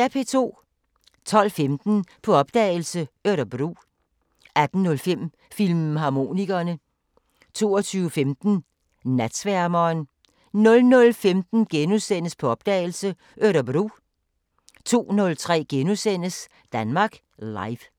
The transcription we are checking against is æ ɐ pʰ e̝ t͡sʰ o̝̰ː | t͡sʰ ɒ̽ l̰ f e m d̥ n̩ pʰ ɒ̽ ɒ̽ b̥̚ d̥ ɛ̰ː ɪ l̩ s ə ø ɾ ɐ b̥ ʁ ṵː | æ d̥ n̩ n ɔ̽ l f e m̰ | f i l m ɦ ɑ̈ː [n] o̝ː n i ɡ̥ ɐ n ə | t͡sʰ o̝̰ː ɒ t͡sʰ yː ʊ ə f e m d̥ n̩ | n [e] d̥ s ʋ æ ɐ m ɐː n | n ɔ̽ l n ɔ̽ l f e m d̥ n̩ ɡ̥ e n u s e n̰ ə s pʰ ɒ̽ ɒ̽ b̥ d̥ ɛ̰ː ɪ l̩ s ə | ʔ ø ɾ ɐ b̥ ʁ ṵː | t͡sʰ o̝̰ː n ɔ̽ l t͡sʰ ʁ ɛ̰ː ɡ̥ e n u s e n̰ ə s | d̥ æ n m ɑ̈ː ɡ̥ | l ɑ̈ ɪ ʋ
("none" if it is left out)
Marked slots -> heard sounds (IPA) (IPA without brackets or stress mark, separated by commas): m, æ